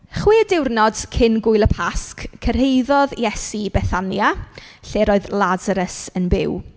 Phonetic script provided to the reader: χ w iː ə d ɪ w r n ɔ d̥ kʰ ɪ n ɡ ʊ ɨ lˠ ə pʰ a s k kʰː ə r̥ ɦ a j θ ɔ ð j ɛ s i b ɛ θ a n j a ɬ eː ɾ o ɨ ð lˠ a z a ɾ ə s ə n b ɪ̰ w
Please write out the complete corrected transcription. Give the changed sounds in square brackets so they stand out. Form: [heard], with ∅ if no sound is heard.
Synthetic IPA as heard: χ w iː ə d ɪ w r n ɔ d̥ kʰ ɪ n ɡ ʊ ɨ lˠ ə pʰ a s k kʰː ə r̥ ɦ [e] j [ð] ɔ ð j ɛ s i b ɛ θ a n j a ɬ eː ɾ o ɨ ð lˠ a z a ɾ ə s ə n b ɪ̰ w